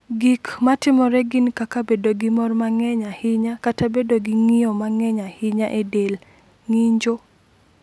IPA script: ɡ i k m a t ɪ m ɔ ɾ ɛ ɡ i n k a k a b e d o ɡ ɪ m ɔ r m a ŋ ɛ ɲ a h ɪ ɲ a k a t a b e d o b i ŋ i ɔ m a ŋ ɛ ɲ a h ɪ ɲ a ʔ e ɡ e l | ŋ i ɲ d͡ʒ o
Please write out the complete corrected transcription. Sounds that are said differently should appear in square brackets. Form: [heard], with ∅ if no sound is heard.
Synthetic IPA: ɡ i k m a t ɪ m ɔ ɾ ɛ ɡ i n k a k a b e d o ɡ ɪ m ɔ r m a ŋ ɛ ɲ a h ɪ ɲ a k a t a b e d o [ɡ] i ŋ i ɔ m a ŋ ɛ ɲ a h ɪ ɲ a ʔ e [d] e l | ŋ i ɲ d͡ʒ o